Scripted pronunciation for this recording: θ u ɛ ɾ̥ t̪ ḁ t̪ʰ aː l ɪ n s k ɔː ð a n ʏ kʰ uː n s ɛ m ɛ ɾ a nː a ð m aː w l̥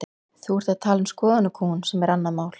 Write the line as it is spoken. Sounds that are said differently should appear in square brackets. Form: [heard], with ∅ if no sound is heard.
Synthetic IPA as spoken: θ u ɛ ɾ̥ t̪ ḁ t̪ʰ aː l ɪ n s k ɔː ð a n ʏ kʰ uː n s ɛ m ɛ ɾ a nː a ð m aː w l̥